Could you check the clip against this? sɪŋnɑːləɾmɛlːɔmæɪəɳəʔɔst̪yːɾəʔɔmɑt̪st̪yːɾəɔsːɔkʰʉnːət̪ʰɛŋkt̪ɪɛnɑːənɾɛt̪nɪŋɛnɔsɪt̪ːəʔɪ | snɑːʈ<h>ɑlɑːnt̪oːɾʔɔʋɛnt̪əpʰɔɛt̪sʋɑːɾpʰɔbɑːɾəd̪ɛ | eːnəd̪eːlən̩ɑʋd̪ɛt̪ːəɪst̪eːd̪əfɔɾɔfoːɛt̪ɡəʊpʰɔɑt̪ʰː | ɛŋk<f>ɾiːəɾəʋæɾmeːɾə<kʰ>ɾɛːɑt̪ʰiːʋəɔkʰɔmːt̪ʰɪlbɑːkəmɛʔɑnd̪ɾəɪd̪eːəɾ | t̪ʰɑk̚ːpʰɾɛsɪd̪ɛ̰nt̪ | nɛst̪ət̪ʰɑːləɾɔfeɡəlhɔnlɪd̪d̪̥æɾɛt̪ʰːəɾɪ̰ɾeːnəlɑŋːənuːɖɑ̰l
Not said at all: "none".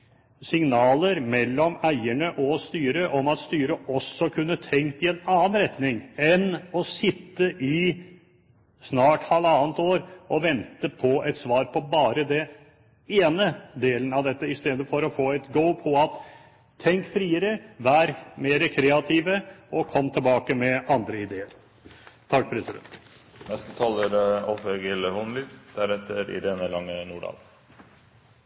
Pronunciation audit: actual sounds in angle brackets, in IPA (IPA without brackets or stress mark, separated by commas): h, f, kʰ